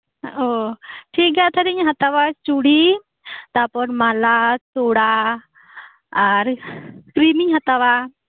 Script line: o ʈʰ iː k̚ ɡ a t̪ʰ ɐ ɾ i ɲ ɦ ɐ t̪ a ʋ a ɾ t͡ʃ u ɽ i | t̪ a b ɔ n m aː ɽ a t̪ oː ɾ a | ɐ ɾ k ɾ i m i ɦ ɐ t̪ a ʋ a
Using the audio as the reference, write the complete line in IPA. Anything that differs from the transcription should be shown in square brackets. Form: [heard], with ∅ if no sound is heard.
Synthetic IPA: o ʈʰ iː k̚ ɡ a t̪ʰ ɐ ɾ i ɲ ɦ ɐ t̪ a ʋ a [∅] t͡ʃ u ɽ i | t̪ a [p] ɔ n m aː [l] a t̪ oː [ɽ] a | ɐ ɾ k ɾ i m i ɦ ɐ t̪ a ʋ a